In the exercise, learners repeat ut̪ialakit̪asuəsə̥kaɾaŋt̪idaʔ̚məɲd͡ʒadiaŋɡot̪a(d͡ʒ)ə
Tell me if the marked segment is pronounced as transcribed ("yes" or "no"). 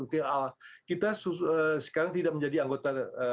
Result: no